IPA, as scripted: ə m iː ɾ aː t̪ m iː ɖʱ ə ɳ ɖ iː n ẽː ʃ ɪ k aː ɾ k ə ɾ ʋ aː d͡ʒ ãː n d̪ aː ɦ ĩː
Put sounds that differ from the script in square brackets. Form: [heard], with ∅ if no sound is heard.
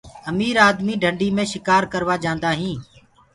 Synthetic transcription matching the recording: ə m iː ɾ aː [d̪] m iː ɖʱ ə ɳ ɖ iː [m] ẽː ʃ ɪ k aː ɾ k ə ɾ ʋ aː d͡ʒ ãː n d̪ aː ɦ ĩː